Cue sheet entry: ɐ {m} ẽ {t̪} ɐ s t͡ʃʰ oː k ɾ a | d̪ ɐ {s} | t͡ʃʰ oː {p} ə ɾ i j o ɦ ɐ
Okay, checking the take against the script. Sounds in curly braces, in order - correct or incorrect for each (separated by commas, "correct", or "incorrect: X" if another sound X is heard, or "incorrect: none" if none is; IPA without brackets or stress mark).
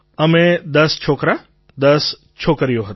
correct, incorrect: d̪, correct, incorrect: k